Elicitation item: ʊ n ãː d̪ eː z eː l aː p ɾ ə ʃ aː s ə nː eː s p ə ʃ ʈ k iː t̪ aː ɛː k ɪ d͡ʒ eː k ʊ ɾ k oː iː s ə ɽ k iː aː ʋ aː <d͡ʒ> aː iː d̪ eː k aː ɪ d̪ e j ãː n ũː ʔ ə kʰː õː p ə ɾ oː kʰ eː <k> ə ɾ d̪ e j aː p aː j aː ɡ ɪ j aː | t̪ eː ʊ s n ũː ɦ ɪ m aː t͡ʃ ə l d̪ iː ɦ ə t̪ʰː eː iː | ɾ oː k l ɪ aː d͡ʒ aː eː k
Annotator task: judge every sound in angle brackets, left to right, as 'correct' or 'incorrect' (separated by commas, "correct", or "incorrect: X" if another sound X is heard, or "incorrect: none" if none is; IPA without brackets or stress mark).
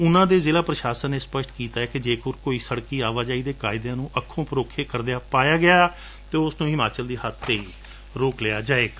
correct, correct